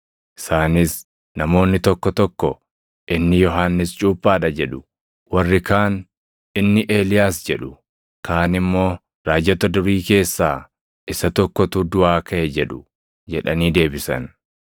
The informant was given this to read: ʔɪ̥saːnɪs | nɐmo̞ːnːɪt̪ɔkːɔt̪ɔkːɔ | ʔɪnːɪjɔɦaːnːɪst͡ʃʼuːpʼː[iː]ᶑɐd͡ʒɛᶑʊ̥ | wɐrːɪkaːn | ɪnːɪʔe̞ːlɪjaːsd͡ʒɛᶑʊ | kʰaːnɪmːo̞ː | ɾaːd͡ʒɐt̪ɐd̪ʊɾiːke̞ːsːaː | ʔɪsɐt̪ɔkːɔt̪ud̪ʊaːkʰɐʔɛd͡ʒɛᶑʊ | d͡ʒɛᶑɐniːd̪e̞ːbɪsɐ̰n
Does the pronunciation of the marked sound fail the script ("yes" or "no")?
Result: yes